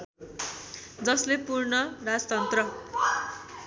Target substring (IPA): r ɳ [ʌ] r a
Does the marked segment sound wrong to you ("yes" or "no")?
no